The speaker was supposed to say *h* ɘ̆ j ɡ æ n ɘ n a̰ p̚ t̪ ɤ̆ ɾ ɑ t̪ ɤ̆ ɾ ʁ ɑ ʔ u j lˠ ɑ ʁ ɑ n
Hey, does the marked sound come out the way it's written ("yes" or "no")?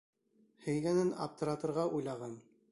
yes